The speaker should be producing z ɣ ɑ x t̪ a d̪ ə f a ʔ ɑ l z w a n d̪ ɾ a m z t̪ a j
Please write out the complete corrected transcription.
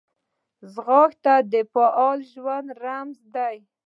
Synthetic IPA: z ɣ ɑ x t̪ a d̪ ə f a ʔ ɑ l ʒ w a n d̪ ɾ a m z d̪ a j